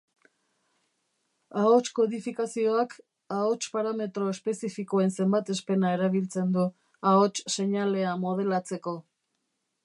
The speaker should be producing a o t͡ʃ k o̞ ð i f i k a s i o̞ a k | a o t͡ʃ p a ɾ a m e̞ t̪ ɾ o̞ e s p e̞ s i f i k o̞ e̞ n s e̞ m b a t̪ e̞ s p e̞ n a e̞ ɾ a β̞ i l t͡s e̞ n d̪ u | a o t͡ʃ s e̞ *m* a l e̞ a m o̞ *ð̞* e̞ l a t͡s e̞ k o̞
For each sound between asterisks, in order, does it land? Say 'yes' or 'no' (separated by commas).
no, yes